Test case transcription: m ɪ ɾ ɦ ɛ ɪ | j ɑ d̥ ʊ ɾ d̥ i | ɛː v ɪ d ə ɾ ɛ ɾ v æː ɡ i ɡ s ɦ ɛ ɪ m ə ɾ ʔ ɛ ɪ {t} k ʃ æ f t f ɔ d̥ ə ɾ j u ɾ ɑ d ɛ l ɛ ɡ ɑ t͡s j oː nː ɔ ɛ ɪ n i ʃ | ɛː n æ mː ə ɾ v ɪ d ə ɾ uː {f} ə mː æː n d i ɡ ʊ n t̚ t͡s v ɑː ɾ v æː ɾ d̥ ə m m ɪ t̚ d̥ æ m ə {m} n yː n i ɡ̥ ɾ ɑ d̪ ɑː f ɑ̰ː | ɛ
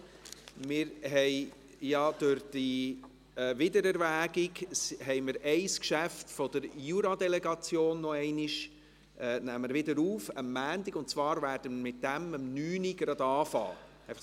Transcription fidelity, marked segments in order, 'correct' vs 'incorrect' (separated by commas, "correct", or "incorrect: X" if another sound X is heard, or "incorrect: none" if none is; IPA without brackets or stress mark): incorrect: s, correct, correct